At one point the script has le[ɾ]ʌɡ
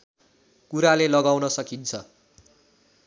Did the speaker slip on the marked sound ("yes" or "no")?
yes